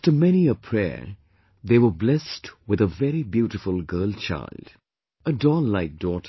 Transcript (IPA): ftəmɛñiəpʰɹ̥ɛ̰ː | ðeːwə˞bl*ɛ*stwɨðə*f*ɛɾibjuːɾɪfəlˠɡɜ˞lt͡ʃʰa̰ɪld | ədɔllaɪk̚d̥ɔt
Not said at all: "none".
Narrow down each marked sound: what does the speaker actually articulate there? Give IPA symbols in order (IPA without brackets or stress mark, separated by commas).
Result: ɛ, v